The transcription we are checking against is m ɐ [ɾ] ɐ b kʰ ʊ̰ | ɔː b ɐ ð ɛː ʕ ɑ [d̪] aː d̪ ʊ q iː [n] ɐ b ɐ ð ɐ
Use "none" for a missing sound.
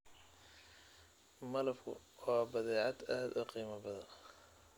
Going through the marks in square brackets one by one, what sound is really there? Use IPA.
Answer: l, d̪, m

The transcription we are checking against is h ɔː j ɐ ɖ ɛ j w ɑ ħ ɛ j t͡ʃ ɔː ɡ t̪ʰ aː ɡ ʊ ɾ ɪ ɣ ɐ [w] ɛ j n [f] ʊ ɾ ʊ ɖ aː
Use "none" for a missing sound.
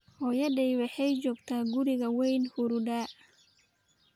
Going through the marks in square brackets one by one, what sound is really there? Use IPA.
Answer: w, h

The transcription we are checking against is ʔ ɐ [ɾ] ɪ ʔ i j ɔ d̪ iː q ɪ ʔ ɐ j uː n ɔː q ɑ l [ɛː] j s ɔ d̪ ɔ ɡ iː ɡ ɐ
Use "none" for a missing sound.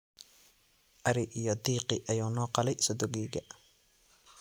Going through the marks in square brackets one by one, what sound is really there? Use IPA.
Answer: ɾ, ɛ

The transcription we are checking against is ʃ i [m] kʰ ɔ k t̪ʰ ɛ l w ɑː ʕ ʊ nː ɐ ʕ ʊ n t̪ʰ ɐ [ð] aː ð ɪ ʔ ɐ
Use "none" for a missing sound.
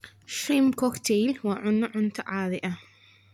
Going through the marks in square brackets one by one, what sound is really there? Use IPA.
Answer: m, ʕ

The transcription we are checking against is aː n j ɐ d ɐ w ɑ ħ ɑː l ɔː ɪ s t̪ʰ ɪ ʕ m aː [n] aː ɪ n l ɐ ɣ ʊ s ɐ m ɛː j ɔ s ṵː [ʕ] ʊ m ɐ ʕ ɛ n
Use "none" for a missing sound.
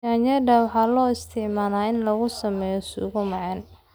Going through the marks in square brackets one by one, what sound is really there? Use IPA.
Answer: n, ɣ

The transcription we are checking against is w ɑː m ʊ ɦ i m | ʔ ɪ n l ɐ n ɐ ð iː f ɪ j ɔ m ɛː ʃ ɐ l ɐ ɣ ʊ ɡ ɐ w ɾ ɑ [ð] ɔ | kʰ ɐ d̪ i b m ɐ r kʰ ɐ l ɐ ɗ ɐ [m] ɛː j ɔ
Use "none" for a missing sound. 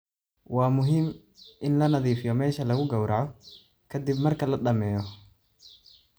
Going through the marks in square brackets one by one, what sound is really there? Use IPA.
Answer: ʕ, m

